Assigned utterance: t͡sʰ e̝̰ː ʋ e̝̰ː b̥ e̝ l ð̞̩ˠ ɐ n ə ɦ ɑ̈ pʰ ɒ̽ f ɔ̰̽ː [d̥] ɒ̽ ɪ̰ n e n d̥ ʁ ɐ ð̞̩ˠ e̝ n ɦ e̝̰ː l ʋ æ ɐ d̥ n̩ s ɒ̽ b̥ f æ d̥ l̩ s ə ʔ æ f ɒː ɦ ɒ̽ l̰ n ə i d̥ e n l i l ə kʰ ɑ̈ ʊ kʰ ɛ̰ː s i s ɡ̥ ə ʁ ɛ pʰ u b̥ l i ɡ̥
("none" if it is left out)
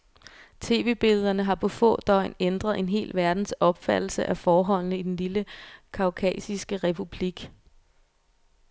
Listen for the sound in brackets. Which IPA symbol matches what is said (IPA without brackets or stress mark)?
d̥